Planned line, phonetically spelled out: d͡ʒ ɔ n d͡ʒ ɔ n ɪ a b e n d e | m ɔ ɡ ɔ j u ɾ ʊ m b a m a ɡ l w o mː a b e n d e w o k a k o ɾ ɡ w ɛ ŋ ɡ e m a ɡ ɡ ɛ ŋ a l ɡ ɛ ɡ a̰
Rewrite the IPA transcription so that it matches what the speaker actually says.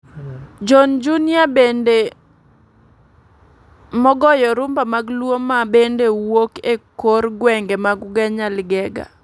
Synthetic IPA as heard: d͡ʒ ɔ n d͡ʒ u n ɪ a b e n d e | m ɔ ɡ ɔ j ɔ ɾ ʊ m b a m a ɡ l w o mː a b e n d e w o k e k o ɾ ɡ w ɛ ŋ ɡ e m a ɡ ɡ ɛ ɲ a l ɡ ɛ ɡ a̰